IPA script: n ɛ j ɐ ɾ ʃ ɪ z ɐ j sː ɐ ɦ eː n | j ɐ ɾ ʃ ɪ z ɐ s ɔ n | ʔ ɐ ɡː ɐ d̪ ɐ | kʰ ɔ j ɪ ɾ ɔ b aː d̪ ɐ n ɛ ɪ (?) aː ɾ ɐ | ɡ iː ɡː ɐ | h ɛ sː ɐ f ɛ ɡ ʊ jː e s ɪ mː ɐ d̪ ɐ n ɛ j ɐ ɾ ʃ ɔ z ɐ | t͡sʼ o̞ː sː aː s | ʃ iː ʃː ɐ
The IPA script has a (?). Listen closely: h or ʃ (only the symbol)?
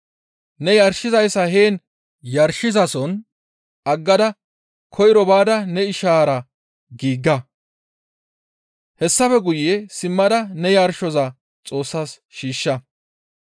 ʃ